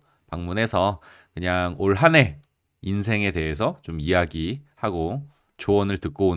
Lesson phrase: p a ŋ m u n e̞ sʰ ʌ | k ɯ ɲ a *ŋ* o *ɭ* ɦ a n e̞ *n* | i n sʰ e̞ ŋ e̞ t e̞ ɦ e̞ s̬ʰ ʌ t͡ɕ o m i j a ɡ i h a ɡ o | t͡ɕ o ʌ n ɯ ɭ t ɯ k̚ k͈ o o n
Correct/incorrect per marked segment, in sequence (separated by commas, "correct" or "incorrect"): correct, correct, incorrect